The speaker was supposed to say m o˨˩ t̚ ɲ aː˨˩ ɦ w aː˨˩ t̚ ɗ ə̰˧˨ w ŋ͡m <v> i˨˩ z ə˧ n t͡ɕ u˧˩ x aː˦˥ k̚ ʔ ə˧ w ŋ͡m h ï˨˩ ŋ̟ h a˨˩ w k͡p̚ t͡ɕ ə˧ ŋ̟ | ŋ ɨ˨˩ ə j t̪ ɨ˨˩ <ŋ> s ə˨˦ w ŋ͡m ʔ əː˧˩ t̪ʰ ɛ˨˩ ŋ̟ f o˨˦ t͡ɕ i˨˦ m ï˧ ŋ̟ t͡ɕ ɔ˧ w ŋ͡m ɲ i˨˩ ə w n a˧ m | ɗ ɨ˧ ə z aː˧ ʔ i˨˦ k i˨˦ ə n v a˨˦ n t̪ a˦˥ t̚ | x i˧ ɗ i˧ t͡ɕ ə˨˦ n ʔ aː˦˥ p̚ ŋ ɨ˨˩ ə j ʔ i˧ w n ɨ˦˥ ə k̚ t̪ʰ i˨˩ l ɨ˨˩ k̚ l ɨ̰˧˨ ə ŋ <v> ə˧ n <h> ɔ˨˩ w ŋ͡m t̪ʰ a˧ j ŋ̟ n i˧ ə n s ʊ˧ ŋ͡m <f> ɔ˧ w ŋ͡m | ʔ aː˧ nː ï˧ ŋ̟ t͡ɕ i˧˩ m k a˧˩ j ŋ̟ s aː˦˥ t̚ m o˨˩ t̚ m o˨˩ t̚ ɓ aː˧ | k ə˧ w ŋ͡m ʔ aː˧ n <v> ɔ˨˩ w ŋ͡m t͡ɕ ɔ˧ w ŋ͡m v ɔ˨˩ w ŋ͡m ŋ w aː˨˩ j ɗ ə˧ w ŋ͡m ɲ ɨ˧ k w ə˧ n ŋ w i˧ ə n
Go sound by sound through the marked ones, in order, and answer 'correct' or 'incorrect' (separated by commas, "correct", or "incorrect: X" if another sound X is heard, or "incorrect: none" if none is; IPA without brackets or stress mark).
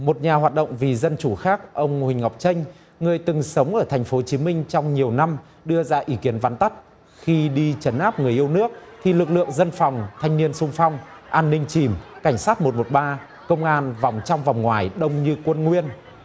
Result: correct, correct, incorrect: z, incorrect: f, correct, correct